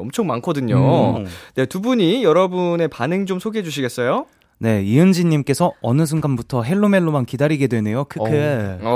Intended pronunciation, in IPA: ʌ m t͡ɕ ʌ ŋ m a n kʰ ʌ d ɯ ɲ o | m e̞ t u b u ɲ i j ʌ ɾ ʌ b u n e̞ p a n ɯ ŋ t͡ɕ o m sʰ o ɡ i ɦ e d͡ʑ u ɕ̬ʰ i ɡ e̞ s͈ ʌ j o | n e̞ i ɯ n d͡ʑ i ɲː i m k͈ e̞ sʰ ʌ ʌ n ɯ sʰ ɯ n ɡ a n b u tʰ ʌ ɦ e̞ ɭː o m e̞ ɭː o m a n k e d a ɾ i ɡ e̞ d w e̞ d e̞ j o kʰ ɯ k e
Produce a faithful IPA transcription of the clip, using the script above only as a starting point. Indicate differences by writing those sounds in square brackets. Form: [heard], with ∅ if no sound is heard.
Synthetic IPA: ʌ m [t͡ɕʰ] ʌ ŋ m a n kʰ ʌ d ɯ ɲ o | [n] e̞ t u b u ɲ i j ʌ ɾ ʌ b u n e̞ p a n ɯ ŋ t͡ɕ o m sʰ o ɡ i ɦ e d͡ʑ u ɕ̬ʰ i ɡ e̞ s͈ ʌ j o | n e̞ i ɯ n d͡ʑ i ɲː i m k͈ e̞ sʰ ʌ ʌ n ɯ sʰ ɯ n ɡ a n b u tʰ ʌ ɦ e̞ ɭː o m e̞ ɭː o m a n k [i] d a ɾ i ɡ e̞ d w e̞ [n] e̞ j o kʰ ɯ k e